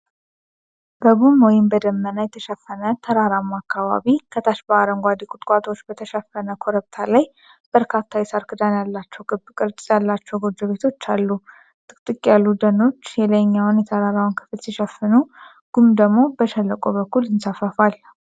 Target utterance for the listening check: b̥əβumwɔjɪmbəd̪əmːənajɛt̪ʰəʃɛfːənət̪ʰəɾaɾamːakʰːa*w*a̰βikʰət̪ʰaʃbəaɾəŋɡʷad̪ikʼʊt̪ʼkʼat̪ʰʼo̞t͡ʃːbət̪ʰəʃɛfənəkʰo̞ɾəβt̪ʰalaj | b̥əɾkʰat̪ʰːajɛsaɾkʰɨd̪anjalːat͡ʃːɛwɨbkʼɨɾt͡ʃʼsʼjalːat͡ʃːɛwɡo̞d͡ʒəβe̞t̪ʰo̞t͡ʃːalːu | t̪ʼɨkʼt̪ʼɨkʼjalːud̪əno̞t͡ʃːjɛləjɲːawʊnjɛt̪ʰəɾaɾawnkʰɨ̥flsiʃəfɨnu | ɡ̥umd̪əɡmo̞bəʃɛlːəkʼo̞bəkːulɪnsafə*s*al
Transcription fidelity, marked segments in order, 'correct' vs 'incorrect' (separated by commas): incorrect, incorrect